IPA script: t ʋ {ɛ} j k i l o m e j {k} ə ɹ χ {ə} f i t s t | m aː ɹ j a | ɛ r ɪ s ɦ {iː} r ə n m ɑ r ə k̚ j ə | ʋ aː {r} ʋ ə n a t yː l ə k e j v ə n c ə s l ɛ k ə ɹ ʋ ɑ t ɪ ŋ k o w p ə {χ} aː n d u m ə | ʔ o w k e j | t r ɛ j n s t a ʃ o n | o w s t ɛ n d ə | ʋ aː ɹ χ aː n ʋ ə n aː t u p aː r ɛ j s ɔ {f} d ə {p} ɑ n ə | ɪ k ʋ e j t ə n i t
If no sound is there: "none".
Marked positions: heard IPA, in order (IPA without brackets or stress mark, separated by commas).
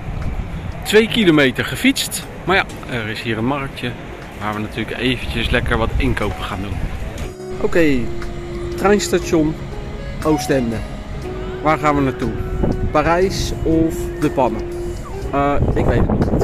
e, t, ə, iː, ɹ, χ, f, p